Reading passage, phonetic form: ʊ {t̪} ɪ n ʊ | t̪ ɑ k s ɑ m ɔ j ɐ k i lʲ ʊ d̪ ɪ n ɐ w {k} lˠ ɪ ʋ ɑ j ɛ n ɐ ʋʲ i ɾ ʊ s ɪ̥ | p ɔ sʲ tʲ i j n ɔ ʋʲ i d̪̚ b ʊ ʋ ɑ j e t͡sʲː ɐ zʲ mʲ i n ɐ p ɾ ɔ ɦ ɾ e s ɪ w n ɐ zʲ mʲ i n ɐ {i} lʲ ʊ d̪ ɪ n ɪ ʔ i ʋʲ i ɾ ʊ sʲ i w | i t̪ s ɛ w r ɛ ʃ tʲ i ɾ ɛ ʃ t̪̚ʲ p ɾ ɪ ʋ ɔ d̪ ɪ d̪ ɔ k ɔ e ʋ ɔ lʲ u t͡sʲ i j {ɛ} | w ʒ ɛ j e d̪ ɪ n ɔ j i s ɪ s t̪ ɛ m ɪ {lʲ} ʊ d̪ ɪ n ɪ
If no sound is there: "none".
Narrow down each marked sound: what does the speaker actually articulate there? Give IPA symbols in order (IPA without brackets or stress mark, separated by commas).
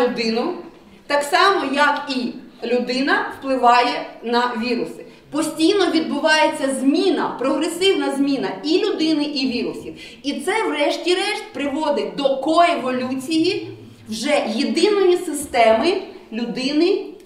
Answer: d̪, p, i, i, lʲ